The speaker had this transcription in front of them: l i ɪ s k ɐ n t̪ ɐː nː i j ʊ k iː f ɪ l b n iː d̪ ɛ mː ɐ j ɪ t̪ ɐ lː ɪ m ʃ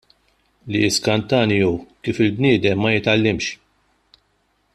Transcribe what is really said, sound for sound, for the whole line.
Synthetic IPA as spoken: l i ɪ s k ɐ n t̪ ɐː n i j u k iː f ɪ l b n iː d̪ ɛ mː ɐ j ɪ t̪ ɐ lː ɪ m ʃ